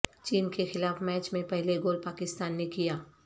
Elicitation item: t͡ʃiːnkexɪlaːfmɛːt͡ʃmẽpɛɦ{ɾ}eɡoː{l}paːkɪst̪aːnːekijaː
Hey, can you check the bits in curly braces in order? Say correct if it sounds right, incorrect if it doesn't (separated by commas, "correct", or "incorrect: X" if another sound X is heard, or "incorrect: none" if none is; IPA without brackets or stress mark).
incorrect: l, correct